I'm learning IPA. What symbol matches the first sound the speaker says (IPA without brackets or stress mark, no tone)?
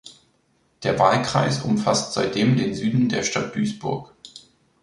d̥